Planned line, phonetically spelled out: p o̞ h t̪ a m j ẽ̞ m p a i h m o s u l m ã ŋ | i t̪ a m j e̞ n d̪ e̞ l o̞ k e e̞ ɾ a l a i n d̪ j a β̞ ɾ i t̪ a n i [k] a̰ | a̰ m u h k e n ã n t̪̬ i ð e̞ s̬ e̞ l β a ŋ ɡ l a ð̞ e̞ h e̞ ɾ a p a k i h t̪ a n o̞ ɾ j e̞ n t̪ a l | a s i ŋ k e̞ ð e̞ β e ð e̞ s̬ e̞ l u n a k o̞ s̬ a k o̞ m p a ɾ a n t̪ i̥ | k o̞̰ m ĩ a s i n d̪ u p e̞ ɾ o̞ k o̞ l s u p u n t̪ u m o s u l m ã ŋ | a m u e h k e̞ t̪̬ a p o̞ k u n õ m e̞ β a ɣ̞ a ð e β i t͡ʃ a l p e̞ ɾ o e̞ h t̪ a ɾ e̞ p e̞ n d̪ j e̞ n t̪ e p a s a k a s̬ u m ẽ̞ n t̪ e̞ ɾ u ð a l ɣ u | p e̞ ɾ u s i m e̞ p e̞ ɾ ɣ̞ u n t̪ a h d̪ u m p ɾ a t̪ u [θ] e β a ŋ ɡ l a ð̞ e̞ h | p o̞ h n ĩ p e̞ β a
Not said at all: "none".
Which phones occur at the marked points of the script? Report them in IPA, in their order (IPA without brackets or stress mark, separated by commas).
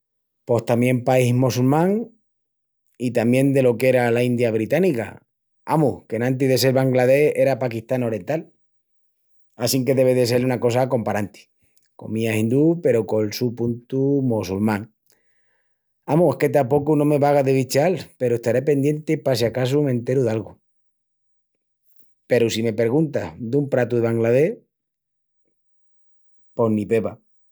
k, ð